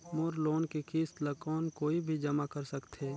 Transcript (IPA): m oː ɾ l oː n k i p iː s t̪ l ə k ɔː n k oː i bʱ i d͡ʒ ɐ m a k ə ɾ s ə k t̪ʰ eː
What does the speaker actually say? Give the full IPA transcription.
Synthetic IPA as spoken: m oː ɾ l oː n k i k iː s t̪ l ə k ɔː n k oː i bʱ i d͡ʒ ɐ m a k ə ɾ s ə k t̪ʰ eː